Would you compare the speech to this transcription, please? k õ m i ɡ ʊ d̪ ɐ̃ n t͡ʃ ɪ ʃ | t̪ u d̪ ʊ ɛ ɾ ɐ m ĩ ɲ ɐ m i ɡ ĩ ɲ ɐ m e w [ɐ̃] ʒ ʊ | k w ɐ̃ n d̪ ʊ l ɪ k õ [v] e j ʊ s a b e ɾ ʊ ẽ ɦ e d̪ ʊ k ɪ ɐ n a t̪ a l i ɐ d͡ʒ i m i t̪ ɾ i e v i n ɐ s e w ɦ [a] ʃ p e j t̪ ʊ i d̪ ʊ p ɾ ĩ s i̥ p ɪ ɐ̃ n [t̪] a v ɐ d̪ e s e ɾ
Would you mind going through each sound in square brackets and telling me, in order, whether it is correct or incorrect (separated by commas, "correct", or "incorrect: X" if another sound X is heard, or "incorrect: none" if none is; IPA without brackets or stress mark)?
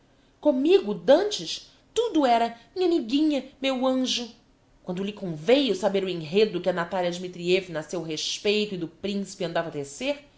correct, correct, incorrect: e, incorrect: d̪